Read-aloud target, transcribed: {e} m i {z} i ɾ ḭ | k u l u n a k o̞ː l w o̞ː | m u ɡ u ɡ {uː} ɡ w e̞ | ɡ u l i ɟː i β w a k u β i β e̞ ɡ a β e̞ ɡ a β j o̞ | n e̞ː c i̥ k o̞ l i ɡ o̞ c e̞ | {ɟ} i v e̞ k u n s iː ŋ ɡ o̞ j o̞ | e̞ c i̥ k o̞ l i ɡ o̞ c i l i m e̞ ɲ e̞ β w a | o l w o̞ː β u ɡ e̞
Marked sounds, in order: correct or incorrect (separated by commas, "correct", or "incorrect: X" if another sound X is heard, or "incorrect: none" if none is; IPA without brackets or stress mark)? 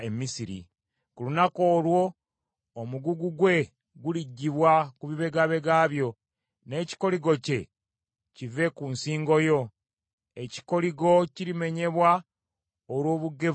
correct, incorrect: s, incorrect: u, incorrect: c